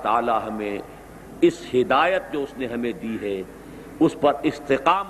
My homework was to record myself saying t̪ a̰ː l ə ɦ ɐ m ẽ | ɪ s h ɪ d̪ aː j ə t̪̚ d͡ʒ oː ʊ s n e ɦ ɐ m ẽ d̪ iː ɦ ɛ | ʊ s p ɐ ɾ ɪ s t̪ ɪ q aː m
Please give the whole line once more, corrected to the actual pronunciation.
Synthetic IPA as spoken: t̪ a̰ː l a ɦ ɐ m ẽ | ɪ s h ɪ d̪ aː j ə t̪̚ d͡ʒ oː ʊ s n e ɦ ɐ m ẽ d̪ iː ɦ ɛ | ʊ s p ɐ ɾ ɪ s t̪ ɪ q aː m